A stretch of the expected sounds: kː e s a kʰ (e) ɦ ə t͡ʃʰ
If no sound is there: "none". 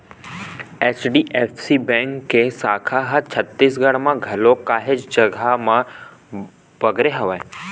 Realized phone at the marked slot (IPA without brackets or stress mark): a